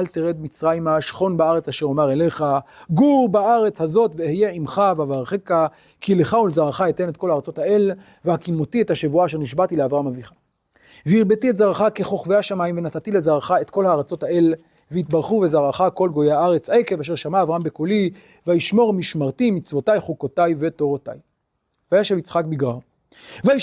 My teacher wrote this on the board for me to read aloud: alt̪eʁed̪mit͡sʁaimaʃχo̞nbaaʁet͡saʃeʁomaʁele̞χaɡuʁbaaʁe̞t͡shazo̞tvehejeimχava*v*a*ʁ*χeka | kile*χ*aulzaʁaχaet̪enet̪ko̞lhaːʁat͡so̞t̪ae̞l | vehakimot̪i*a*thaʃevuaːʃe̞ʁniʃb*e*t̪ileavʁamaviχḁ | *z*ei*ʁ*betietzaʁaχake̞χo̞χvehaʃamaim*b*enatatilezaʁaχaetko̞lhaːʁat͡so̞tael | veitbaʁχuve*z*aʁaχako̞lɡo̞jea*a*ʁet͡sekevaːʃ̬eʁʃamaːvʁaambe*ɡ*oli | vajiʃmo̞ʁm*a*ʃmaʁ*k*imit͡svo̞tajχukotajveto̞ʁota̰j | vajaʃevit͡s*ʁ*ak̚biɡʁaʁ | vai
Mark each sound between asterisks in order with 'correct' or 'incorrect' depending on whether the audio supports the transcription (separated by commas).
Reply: correct, correct, correct, incorrect, incorrect, incorrect, correct, incorrect, correct, correct, incorrect, incorrect, incorrect, incorrect